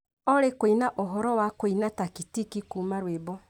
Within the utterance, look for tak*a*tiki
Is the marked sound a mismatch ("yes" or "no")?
yes